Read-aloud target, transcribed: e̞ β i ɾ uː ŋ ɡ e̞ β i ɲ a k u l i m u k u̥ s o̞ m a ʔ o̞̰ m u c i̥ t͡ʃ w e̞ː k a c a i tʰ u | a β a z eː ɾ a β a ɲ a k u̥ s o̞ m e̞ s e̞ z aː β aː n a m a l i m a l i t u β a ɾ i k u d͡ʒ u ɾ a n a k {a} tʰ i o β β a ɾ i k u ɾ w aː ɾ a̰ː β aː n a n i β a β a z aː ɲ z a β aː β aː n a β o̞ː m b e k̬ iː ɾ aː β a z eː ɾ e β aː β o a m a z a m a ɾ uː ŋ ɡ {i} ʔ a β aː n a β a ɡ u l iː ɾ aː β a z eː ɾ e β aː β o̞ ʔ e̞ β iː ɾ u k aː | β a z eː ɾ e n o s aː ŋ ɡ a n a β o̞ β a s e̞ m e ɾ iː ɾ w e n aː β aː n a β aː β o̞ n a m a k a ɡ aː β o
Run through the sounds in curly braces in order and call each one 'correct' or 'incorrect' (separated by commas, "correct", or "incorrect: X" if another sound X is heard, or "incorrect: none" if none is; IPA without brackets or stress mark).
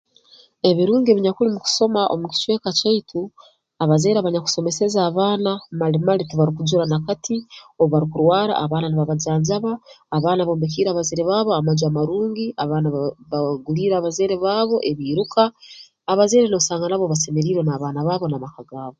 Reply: correct, correct